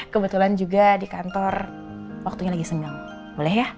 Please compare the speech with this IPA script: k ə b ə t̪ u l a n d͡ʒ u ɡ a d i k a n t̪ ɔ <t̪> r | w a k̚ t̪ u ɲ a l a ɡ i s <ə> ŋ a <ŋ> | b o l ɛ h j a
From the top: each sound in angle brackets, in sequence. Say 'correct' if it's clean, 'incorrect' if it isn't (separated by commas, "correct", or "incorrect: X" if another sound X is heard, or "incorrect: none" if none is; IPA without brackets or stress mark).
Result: incorrect: none, correct, correct